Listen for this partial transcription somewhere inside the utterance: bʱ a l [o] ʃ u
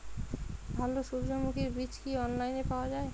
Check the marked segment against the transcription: correct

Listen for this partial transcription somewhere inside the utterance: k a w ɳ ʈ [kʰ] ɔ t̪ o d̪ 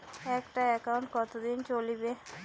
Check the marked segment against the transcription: incorrect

